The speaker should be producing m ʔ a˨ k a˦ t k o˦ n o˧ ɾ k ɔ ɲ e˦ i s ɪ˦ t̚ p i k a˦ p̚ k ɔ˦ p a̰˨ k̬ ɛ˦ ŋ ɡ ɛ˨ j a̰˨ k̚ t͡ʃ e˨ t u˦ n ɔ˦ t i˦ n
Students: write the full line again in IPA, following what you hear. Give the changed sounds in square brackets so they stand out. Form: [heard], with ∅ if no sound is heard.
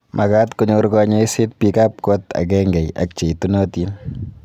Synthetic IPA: m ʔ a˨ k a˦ t k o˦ [ɲ] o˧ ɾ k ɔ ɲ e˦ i s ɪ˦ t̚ p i k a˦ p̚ k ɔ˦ [t] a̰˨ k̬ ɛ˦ ŋ ɡ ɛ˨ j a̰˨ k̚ t͡ʃ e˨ t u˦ n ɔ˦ t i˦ n